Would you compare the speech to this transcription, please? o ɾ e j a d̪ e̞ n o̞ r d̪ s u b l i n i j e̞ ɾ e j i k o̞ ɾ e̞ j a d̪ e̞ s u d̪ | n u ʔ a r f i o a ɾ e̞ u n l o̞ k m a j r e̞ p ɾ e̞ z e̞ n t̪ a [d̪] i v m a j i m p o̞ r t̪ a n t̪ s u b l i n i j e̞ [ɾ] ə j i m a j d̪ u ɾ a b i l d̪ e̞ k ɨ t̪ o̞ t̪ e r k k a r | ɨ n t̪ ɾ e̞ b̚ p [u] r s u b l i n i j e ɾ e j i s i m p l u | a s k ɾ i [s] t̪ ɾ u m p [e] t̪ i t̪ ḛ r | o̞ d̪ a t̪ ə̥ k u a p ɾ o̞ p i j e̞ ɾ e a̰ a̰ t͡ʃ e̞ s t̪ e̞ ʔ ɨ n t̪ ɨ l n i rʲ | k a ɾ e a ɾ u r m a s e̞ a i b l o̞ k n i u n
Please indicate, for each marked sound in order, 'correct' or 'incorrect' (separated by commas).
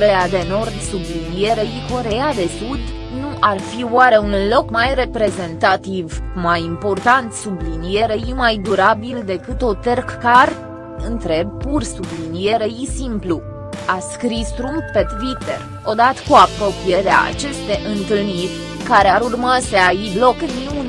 incorrect, correct, correct, correct, correct